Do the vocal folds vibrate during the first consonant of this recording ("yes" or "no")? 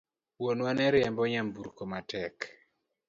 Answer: yes